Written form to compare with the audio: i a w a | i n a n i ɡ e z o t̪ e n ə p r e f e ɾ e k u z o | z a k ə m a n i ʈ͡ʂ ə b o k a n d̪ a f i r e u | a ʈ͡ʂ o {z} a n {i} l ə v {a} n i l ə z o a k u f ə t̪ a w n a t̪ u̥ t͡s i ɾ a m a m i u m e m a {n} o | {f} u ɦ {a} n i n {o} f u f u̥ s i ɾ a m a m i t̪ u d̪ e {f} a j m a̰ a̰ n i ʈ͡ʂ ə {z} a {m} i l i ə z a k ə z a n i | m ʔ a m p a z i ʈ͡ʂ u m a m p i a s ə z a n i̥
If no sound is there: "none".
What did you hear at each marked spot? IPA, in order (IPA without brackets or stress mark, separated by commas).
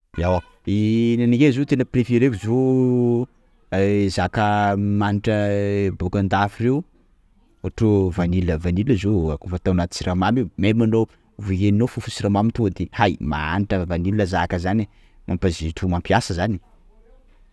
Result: v, i, a, n, v, e, o, h, v, n